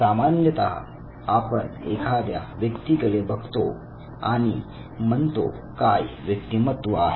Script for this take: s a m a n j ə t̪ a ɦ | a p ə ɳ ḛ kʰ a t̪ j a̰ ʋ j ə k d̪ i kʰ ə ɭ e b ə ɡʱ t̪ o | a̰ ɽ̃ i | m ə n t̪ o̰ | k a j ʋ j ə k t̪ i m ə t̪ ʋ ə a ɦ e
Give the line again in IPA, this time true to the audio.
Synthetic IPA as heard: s a m a n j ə t̪ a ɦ | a p ə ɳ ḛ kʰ a d̪ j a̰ ʋ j ə k t̪ i k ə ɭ e b ə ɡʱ t̪ o | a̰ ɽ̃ i | m ə n t̪ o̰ | k a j ʋ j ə k t̪ i m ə t̪ ʋ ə a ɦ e